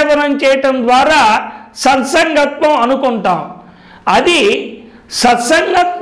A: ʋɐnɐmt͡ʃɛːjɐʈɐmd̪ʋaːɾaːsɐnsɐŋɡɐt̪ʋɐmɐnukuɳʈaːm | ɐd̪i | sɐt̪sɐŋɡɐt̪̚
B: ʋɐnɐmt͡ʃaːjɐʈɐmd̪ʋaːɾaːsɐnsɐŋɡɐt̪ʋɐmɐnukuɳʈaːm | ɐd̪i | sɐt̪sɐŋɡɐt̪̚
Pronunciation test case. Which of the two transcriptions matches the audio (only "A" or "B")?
A